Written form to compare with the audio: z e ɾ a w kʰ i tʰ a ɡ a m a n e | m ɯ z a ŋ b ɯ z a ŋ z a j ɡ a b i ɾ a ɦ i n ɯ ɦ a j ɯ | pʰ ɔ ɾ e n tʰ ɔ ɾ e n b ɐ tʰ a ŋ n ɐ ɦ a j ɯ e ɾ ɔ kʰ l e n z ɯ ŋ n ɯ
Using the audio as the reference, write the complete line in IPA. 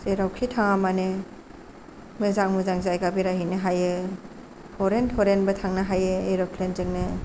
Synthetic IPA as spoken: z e ɾ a w kʰ i tʰ a ŋ a m a n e | m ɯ z a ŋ m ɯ z a ŋ z a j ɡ a b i ɾ a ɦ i n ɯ ɦ a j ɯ | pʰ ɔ ɾ e n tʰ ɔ ɾ e n b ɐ tʰ a ŋ n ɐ ɦ a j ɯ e ɾ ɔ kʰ l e n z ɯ ŋ n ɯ